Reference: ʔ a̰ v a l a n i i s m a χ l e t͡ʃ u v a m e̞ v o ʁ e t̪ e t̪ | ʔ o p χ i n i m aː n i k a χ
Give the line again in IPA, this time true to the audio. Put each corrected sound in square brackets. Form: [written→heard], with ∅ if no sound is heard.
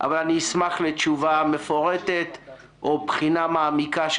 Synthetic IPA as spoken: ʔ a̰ v a l a n i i s m a χ l e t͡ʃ u v a m e̞ [v→f] o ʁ e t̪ e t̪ | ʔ o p χ i n [i→a] m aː [n→m] i k a [χ→ʃ]